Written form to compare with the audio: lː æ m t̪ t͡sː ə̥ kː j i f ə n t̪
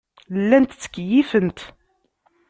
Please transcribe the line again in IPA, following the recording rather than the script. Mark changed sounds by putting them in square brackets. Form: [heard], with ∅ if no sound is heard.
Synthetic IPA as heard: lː æ [n] t̪ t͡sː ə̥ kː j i f ə n t̪